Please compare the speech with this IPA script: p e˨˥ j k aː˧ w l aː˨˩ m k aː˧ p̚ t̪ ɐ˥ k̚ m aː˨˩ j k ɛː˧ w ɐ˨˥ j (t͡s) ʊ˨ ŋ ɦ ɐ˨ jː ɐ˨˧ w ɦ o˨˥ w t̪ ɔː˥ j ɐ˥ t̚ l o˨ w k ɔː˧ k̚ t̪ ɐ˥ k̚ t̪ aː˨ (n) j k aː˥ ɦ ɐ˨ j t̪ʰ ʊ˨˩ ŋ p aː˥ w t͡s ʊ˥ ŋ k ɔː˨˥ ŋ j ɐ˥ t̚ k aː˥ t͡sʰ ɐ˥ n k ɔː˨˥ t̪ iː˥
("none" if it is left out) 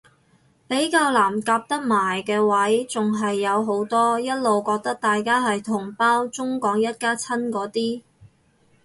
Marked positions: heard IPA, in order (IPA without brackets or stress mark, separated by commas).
t͡s, none